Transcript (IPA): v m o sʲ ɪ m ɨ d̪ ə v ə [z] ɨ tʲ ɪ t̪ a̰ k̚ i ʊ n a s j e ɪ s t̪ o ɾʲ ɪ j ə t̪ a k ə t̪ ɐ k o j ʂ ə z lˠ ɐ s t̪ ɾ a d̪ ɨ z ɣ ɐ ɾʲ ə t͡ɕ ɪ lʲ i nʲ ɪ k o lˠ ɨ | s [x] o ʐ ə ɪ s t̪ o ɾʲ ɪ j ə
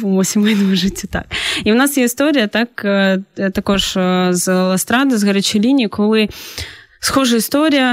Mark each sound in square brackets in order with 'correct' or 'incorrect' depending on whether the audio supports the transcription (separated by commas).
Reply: incorrect, correct